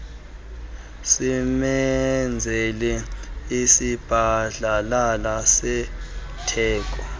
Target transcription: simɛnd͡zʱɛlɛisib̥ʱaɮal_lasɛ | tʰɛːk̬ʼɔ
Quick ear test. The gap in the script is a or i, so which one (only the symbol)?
a